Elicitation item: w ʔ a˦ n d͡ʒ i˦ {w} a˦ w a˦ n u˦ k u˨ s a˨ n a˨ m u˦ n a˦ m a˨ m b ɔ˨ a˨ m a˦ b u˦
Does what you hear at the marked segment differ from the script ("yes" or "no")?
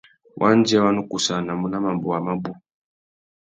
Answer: yes